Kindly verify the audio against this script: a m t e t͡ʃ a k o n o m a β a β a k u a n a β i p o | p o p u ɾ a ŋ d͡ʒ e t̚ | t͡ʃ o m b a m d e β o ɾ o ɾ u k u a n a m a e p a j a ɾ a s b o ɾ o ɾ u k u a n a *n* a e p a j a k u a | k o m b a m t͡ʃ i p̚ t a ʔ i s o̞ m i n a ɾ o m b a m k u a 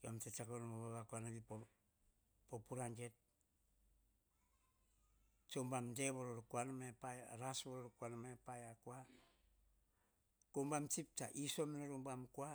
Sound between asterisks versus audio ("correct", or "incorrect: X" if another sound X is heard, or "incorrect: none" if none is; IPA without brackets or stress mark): incorrect: m